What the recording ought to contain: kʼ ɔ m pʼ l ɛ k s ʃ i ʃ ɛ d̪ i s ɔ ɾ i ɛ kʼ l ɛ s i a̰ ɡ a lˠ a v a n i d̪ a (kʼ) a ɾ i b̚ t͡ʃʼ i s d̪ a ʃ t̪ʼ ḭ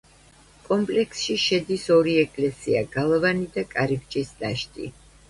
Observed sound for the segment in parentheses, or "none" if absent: kʼ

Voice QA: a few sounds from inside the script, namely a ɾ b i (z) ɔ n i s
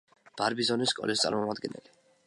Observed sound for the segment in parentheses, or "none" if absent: z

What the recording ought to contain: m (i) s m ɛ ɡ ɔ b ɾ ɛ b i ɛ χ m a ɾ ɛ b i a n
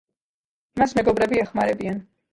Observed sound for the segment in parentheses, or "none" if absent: a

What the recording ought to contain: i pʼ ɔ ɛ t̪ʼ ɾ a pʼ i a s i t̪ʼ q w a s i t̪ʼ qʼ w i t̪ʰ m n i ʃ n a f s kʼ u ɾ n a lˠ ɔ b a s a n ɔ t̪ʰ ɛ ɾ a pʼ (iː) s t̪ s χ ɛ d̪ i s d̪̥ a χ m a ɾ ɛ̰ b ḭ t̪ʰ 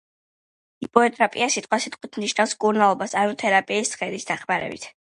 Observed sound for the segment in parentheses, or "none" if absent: iː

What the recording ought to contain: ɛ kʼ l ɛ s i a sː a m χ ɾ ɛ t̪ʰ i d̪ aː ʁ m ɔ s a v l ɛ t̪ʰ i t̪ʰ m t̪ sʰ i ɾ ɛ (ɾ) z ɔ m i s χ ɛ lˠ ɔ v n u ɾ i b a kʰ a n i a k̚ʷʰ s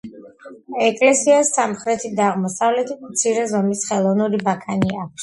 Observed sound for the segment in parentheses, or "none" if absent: none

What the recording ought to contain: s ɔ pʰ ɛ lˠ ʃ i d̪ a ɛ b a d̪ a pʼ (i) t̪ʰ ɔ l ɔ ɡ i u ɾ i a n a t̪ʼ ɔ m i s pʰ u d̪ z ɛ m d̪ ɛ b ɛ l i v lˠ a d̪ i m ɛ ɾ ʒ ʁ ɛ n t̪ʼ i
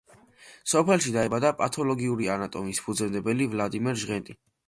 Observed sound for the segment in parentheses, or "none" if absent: a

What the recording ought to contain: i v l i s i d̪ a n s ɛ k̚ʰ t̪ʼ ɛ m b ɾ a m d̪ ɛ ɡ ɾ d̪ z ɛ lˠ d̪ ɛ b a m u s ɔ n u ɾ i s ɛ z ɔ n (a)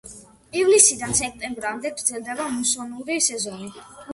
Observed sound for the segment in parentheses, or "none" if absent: i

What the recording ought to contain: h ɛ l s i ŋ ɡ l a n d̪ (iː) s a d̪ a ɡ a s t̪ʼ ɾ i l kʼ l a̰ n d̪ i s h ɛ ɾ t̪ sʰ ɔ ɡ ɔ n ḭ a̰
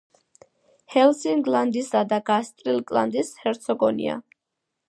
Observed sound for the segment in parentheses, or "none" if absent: i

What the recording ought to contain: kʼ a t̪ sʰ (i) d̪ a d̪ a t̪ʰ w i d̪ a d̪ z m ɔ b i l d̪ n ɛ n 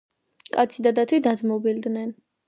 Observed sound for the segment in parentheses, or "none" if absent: i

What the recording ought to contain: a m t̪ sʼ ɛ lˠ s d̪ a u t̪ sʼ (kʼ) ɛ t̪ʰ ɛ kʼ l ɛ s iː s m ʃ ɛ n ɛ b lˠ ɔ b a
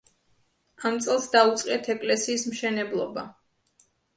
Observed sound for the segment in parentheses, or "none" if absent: qʼ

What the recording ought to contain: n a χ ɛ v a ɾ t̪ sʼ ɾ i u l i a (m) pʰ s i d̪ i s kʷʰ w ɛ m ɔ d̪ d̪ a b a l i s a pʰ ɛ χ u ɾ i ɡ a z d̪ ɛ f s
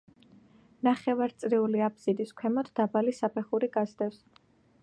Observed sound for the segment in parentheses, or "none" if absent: none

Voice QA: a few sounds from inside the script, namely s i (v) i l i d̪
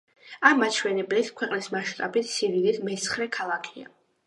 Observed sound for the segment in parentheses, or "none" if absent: v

